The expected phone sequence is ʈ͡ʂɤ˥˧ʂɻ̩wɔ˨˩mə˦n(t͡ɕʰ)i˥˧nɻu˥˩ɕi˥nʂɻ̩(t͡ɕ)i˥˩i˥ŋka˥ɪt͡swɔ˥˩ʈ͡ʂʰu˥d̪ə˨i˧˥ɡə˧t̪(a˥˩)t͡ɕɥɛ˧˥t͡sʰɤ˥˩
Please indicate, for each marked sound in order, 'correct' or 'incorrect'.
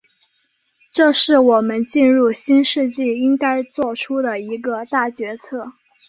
incorrect, correct, correct

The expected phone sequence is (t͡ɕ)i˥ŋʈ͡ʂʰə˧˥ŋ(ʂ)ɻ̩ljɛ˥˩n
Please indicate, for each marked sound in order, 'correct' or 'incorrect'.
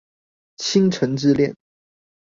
incorrect, incorrect

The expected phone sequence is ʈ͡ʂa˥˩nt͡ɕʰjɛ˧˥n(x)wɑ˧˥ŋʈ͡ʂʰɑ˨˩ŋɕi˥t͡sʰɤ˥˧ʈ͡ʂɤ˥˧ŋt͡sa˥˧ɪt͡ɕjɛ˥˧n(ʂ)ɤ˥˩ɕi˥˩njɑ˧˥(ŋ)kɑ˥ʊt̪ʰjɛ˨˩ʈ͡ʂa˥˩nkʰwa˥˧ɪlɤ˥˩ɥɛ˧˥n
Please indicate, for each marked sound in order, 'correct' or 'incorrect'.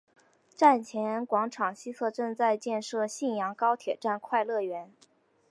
incorrect, correct, correct

